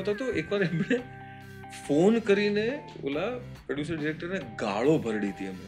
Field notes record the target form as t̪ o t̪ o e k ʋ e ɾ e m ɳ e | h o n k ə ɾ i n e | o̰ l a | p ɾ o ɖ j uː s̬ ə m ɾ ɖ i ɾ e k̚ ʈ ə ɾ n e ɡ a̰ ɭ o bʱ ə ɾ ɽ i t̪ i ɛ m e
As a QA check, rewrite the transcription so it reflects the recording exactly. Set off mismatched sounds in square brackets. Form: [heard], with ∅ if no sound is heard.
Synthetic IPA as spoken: t̪ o t̪ o e k ʋ [a] ɾ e m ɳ e | [f] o n k ə ɾ i n e | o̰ l a | p ɾ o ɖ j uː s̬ ə [∅] ɾ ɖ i ɾ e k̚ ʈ ə ɾ n e ɡ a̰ ɭ o bʱ ə ɾ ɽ i t̪ i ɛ m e